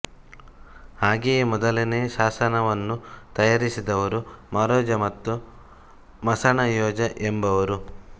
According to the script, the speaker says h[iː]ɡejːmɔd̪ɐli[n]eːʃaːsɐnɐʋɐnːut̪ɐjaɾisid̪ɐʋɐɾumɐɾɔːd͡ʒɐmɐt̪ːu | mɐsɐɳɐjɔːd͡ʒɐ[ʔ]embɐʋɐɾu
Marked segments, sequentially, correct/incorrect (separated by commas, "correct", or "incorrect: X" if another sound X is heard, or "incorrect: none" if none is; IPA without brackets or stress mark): incorrect: aː, correct, correct